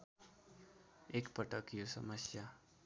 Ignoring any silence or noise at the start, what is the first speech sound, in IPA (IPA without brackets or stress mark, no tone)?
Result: e